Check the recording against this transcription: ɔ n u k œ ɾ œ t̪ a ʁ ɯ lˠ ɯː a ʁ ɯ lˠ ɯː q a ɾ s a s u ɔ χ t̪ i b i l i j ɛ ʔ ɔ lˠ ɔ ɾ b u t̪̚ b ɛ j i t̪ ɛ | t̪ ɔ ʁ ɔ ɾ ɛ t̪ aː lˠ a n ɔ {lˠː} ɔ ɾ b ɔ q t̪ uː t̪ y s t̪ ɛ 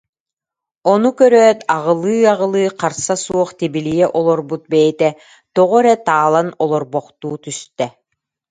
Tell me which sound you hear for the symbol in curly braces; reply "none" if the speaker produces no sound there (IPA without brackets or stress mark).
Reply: lˠ